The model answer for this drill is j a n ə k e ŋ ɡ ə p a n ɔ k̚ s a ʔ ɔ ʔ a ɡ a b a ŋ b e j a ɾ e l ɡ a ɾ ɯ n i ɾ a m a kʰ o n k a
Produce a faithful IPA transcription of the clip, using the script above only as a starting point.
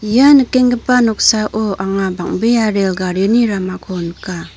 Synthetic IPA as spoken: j a n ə k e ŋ ɡ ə p a n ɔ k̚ s a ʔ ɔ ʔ a ŋ a b a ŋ b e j a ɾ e l ɡ a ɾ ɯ n i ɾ a m a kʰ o n k a